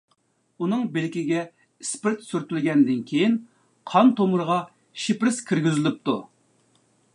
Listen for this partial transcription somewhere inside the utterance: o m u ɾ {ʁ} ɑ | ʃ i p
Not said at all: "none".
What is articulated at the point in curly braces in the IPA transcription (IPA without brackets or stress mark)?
ʁ